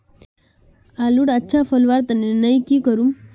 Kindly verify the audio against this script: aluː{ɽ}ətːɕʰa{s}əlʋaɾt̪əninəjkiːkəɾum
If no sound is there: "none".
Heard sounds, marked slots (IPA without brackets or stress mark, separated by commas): ɽ, f